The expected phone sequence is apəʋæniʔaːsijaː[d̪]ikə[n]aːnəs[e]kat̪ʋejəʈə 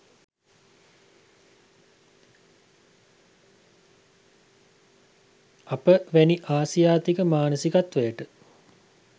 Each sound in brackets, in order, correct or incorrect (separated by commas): incorrect, incorrect, incorrect